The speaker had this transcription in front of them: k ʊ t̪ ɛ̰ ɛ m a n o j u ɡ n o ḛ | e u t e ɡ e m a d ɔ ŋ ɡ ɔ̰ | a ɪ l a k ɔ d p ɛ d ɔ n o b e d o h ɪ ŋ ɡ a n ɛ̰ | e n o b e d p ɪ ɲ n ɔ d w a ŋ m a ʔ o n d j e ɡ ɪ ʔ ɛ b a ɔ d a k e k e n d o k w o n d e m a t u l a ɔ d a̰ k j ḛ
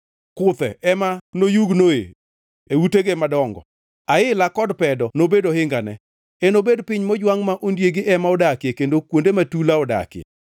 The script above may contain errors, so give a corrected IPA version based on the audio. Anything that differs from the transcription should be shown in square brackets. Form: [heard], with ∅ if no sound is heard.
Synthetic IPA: k ʊ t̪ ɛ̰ ɛ m a n o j u ɡ n o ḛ | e u t e ɡ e m a d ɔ ŋ ɡ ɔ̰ | a ɪ l a k ɔ d p ɛ d ɔ n o b e d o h ɪ ŋ ɡ a n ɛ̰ | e n o b e d p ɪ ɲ [m] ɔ [d͡ʒ] w a ŋ m a ʔ o n d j e ɡ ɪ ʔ ɛ [m] a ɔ d a k e k e n d o k w o n d e m a t u l a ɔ d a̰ k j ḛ